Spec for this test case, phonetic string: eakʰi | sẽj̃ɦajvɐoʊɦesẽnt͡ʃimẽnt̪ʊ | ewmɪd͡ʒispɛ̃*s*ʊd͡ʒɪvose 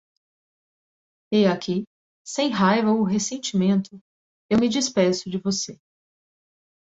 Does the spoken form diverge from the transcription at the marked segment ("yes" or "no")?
no